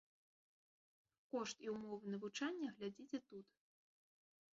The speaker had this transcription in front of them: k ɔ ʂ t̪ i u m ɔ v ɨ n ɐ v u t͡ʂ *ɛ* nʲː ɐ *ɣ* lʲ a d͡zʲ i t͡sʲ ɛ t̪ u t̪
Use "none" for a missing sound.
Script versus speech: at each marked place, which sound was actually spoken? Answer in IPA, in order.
a, ɣ

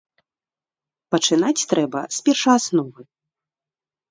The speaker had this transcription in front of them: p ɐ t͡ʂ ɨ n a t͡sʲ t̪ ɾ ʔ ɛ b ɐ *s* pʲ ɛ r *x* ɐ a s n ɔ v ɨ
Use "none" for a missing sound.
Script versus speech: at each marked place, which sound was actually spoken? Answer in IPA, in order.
s, ʂ

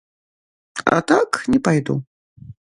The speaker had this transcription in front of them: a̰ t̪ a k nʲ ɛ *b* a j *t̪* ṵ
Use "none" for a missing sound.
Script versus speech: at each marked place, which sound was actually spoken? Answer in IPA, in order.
p, d̪

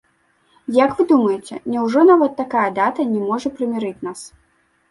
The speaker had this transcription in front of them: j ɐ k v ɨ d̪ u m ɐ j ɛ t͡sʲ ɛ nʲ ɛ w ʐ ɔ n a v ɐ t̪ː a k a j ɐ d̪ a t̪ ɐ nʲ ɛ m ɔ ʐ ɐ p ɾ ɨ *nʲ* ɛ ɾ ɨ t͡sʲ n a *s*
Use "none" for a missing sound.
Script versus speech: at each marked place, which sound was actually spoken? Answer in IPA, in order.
mʲ, s

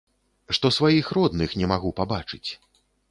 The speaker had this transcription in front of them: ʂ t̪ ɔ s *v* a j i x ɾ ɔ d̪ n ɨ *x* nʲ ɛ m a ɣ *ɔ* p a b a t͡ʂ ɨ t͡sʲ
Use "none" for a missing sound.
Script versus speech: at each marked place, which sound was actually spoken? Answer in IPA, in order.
v, x, u

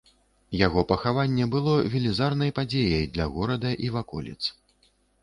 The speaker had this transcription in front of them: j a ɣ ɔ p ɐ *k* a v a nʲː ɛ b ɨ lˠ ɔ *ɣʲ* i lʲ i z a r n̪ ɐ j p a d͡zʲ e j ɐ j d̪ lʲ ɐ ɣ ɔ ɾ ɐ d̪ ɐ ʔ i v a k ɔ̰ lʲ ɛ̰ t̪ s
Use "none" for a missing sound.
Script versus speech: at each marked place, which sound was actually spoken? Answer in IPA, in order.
x, vʲ

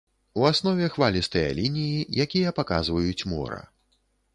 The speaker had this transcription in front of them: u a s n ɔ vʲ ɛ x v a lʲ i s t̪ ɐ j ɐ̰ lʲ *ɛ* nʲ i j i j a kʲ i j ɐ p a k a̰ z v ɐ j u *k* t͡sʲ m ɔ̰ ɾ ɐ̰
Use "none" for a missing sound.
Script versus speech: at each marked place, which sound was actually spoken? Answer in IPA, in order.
i, none

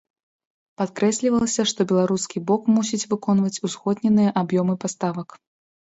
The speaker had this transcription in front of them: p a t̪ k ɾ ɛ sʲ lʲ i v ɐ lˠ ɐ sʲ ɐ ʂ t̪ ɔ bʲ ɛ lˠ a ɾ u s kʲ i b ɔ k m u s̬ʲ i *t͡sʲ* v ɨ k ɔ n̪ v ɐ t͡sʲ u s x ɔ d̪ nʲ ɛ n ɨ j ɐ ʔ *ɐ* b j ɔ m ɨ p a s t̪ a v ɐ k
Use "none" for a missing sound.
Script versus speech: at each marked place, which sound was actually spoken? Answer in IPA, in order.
t͡sʲ, a

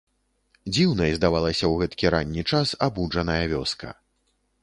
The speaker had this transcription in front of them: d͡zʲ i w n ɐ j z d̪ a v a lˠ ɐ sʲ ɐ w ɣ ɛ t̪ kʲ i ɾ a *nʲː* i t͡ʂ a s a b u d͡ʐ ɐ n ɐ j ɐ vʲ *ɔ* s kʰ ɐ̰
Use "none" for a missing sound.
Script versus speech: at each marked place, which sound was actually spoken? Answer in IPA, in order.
nʲː, ɔ

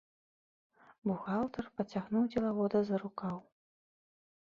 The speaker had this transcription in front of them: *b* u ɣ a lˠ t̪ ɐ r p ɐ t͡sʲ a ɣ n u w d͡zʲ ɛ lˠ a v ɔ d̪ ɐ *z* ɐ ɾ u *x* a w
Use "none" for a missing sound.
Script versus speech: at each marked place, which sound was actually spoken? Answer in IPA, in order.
b, z, k

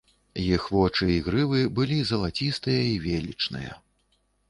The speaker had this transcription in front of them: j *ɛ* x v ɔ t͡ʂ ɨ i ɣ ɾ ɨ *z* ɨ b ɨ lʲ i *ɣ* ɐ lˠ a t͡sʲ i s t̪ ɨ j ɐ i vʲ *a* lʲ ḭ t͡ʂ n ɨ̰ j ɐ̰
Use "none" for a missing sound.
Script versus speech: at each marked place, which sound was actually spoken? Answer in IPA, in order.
i, v, z, e

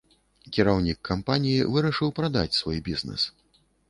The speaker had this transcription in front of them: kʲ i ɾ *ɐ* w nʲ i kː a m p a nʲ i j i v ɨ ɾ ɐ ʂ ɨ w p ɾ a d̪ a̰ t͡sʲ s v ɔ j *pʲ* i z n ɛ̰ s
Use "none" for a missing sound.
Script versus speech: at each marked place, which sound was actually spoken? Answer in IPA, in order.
a, bʲ

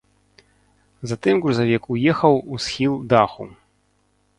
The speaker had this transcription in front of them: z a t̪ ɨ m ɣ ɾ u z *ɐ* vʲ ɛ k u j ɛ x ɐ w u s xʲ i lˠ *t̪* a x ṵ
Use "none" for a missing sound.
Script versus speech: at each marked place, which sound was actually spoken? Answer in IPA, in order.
a, d̪

